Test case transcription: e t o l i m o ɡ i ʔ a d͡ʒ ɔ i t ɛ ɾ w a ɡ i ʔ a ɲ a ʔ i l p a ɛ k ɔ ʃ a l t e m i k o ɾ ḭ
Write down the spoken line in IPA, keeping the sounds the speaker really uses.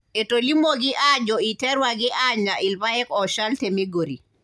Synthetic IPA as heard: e t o l i m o ɡ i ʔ a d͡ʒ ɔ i t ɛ ɾ w a ɡ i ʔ a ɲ a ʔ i l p a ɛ k ɔ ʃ a l t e m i ɡ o ɾ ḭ